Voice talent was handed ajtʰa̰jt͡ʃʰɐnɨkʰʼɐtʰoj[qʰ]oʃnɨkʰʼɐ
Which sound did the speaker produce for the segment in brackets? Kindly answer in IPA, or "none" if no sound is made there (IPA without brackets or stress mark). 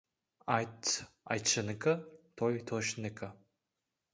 tʰ